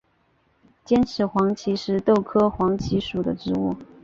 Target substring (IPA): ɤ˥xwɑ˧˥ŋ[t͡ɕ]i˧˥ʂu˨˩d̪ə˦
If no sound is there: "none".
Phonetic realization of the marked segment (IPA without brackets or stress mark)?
t͡ɕʰ